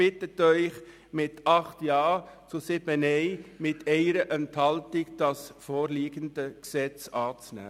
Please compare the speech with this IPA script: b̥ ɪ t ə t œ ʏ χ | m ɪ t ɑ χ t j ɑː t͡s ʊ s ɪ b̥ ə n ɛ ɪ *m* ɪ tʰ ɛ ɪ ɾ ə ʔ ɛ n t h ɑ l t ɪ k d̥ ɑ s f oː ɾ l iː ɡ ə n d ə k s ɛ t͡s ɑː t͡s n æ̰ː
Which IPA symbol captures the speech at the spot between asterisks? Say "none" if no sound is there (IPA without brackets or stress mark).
m